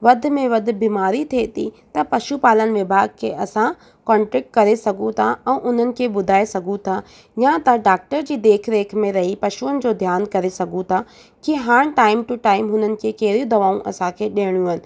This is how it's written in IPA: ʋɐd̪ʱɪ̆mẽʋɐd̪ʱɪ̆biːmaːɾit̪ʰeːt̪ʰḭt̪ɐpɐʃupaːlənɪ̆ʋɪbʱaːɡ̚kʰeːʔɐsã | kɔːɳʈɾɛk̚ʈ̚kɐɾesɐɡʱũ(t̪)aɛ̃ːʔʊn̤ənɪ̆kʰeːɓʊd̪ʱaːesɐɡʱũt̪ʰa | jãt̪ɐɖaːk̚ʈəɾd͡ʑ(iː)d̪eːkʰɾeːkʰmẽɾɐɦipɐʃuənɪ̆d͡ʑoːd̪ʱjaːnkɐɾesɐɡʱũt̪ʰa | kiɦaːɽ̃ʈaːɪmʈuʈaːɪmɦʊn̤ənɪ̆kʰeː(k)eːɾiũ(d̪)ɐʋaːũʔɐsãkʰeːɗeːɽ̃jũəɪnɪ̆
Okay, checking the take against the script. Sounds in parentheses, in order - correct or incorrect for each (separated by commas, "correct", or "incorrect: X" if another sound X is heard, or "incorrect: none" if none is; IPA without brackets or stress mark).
incorrect: t̪ʰ, correct, correct, correct